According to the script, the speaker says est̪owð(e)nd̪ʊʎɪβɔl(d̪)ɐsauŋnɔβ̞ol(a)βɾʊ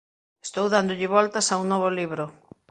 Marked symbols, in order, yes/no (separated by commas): no, no, no